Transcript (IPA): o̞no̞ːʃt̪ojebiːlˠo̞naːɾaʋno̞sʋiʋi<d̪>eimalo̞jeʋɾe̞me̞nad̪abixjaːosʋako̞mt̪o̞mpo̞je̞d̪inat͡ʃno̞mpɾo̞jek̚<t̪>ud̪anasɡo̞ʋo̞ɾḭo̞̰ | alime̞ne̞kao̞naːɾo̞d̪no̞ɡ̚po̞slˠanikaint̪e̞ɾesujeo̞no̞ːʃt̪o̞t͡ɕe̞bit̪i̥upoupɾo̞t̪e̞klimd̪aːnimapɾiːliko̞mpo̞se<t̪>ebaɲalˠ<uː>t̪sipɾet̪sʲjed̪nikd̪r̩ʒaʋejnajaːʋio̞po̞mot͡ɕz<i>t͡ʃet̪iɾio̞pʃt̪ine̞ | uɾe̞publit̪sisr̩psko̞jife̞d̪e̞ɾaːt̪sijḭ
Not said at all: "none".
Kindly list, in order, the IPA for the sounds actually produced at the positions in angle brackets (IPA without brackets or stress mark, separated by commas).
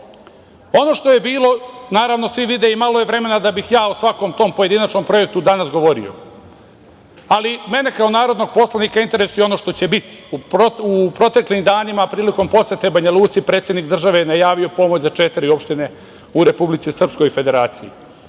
d̪, t̪, t̪, uː, a